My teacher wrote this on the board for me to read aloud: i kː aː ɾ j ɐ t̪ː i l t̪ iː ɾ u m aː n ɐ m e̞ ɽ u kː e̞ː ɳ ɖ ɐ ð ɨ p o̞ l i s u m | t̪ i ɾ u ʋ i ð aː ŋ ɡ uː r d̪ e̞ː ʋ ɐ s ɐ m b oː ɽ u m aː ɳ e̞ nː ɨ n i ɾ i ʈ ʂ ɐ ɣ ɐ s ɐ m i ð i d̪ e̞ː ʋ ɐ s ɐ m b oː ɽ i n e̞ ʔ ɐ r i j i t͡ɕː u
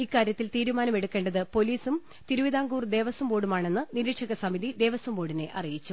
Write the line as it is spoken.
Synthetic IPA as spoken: i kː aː ɾ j ɐ t̪ː i l t̪ iː ɾ u m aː n ɐ m e̞ ɽ u kː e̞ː ɳ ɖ ɐ ð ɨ p o̞ l iː s u m | t̪ i ɾ u ʋ i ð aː ŋ ɡ uː r d̪ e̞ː ʋ ɐ s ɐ m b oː ɽ u m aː ɳ e̞ nː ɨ n i ɾ i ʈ ʂ ɐ ɣ ɐ s ɐ m i ð i d̪ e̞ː ʋ ɐ s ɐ m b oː ɽ i n e̞ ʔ ɐ r i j i t͡ɕː u